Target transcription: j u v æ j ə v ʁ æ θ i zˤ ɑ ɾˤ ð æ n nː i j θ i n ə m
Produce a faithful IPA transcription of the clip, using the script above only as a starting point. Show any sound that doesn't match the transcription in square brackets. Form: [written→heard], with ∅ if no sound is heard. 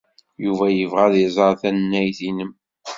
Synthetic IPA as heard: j u v æ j ə v ʁ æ [θ→ð] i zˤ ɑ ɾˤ [ð→θ] æ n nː [i→æ] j θ i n ə m